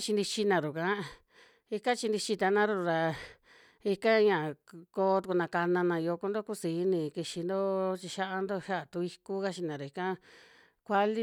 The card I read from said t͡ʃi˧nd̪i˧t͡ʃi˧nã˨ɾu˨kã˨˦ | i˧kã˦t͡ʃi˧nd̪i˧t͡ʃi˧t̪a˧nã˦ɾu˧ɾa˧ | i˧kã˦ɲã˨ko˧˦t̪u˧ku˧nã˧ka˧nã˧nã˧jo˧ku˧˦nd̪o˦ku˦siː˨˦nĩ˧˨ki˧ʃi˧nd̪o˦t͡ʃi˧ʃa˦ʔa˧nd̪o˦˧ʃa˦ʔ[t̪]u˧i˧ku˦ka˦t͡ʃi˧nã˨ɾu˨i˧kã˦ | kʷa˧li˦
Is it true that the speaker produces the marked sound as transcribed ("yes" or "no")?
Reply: yes